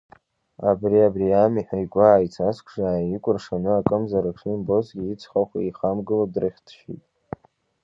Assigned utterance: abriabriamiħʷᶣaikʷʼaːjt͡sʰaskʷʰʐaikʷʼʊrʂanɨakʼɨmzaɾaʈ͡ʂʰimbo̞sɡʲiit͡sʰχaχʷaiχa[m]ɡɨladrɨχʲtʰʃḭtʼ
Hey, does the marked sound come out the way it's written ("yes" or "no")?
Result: yes